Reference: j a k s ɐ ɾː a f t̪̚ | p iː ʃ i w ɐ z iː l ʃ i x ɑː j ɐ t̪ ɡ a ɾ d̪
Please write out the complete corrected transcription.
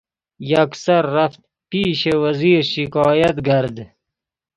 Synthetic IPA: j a k s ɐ ɾː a f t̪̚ | p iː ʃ e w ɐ z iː ɾ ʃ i k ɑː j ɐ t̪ ɡ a ɾ d̪